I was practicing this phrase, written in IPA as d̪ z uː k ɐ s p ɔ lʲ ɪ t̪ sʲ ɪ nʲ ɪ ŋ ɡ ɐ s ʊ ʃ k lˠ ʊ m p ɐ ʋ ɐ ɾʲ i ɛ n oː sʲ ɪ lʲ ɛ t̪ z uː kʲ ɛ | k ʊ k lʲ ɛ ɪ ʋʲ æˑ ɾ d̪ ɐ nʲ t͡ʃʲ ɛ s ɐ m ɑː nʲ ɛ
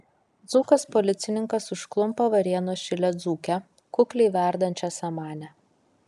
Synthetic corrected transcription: d̪ z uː k ɐ s p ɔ lʲ ɪ t̪ sʲ ɪ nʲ ɪ ŋ k ɐ s ʊ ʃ k lˠ ʊ m p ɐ ʋ ɐ ɾʲ i ɛ n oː ʃʲ ɪ lʲ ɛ d̪ z uː kʲ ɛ | k ʊ k lʲ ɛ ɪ ʋʲ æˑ ɾ d̪ ɐ nʲ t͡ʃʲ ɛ s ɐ m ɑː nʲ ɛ